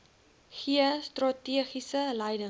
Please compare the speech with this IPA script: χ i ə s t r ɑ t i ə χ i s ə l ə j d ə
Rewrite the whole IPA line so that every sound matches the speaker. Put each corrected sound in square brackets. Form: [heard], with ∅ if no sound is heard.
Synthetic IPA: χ i ə s t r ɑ t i ə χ i s ə l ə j d ə